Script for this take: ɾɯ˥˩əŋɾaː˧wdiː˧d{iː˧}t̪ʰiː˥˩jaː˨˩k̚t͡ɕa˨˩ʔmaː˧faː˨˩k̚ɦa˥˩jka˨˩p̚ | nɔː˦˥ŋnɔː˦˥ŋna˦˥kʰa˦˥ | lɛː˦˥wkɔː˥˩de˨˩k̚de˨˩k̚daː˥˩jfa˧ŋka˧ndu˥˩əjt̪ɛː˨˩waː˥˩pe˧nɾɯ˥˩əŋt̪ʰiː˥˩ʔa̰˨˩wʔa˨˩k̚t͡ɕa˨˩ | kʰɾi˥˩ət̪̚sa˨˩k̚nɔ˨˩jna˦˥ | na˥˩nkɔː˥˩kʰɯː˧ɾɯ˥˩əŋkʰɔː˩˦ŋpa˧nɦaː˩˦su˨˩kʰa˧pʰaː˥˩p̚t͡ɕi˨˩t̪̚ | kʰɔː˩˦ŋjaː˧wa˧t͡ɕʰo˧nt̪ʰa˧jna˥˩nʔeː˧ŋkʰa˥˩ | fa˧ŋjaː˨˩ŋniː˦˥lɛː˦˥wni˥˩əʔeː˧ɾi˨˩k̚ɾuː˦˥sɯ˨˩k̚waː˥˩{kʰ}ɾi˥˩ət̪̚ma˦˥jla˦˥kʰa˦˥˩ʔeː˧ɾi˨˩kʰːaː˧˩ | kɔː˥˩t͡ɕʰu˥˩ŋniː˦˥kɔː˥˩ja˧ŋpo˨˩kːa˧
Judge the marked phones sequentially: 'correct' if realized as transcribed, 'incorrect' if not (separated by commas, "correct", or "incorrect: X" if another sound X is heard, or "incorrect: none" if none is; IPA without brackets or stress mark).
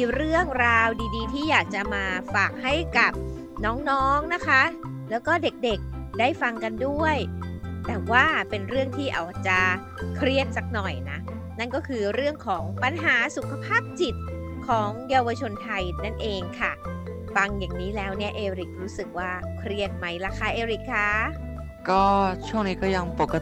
correct, correct